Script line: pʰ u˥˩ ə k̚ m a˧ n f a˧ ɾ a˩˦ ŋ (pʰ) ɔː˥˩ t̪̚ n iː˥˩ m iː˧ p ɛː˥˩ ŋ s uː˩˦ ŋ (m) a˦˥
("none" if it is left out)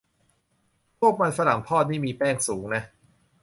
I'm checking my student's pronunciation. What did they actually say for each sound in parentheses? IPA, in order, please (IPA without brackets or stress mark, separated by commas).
pʰ, n